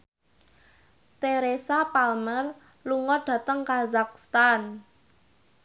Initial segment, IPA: t̪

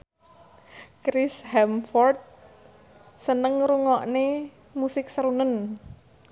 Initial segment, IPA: k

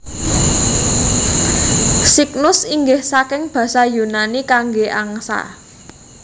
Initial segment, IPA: s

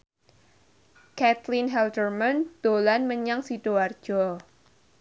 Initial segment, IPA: k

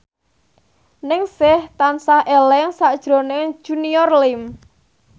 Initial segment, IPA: n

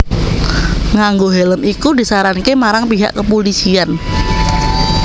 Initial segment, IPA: ŋ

